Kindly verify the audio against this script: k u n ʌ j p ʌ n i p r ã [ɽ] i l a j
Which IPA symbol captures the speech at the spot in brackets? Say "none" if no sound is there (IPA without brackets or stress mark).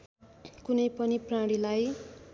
ɽ